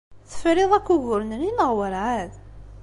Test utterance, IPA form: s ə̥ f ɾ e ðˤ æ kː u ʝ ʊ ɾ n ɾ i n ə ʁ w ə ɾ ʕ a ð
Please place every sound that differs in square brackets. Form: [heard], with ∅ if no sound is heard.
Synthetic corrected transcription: [θ] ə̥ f ɾ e ðˤ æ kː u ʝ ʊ ɾ n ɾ i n ə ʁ w ə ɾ ʕ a ð